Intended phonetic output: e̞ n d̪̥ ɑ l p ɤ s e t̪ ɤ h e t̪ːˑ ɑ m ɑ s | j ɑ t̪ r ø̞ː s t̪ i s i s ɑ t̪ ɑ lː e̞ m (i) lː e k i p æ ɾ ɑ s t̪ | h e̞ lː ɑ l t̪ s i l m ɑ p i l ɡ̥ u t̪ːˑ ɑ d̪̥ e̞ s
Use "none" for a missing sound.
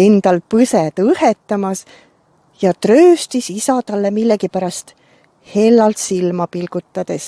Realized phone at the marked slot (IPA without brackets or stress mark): i